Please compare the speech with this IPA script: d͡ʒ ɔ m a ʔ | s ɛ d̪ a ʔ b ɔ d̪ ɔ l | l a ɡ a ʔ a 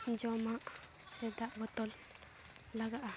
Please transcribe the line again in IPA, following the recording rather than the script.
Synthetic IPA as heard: d͡ʒ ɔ m a ʔ | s ɛ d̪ a ʔ b ɔ t̪ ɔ l | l a ɡ a ʔ a